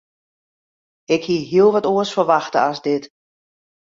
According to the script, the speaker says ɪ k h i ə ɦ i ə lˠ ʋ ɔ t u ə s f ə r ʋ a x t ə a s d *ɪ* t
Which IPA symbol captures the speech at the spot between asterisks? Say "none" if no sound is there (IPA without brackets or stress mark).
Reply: ɪ